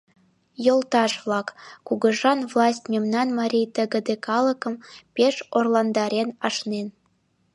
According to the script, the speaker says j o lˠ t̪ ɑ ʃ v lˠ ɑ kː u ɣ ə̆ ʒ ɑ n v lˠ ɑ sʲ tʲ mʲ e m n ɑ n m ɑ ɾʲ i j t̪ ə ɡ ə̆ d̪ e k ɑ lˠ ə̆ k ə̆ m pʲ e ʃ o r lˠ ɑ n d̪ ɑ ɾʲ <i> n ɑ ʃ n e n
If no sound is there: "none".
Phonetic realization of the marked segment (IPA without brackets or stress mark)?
e